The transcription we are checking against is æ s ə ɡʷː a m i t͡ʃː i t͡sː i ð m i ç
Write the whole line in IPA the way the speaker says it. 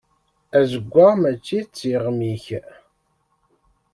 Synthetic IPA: æ z ə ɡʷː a m æ t͡ʃː i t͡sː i ʁ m i ç